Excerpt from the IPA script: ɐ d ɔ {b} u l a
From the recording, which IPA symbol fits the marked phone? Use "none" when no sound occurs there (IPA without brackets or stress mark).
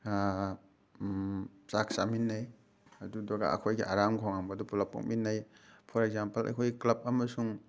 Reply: p